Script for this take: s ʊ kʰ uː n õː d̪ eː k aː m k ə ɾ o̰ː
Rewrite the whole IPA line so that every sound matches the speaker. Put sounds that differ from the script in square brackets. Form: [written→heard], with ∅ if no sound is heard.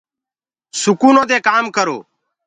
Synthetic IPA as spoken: s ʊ [kʰ→k] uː n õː d̪ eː k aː m k ə ɾ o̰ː